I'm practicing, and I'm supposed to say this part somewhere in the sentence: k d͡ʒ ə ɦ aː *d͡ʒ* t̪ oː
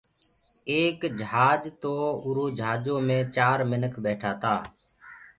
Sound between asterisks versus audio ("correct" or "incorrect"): correct